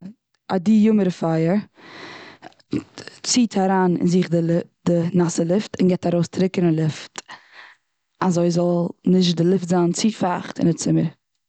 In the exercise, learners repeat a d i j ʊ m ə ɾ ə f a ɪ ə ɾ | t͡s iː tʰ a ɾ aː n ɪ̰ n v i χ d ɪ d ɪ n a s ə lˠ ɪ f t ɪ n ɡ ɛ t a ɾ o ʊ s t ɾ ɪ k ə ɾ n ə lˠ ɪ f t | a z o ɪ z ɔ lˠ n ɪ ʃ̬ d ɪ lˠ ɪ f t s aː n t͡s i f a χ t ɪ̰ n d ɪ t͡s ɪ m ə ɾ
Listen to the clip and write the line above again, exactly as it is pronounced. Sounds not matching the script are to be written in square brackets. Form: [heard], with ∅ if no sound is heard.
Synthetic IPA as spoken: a d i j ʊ m ə ɾ ə f a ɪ ə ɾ | t͡s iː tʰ a ɾ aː n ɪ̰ n [z] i χ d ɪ d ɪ n a s ə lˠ ɪ f t ɪ n ɡ ɛ t a ɾ o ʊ s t ɾ ɪ k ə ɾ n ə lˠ ɪ f t | a z o ɪ z ɔ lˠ n ɪ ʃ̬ d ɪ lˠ ɪ f t [z] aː n t͡s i f a χ t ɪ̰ n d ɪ t͡s ɪ m ə ɾ